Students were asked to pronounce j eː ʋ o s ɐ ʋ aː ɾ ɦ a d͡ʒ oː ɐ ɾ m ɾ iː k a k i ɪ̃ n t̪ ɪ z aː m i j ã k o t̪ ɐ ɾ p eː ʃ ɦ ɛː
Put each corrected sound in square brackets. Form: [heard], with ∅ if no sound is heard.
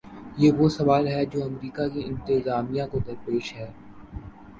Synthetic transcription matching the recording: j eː ʋ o s ɐ ʋ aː [l] ɦ [ɛ] d͡ʒ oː ɐ [∅] m ɾ iː k a k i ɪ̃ n t̪ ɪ z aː m i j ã k o [d̪] ɐ ɾ p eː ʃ ɦ ɛː